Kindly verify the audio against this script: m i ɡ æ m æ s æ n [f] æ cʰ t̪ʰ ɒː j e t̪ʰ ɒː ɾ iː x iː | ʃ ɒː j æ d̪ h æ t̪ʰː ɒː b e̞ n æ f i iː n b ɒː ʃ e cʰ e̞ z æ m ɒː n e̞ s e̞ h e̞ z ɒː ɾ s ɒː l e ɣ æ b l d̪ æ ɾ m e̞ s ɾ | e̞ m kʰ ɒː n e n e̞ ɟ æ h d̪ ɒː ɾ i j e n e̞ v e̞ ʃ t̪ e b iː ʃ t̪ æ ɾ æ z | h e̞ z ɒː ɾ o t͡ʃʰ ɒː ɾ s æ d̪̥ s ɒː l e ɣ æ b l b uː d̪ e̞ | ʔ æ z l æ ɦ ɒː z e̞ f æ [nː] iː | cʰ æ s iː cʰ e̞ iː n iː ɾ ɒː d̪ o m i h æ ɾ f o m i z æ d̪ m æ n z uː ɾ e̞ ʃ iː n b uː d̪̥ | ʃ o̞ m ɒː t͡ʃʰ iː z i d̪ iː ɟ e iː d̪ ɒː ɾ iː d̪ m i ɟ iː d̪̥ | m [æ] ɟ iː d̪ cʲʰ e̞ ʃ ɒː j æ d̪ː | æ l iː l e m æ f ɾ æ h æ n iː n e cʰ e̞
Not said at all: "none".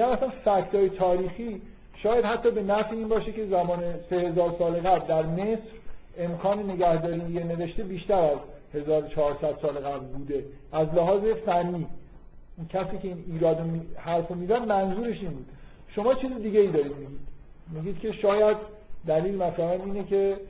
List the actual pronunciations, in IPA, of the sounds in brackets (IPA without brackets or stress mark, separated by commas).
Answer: f, nː, i